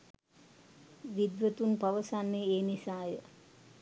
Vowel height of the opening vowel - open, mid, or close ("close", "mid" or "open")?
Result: close